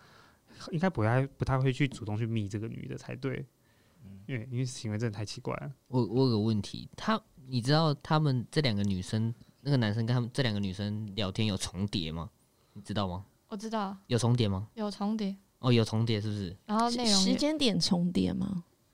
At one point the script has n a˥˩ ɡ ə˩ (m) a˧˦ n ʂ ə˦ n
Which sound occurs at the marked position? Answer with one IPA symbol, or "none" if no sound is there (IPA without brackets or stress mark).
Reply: n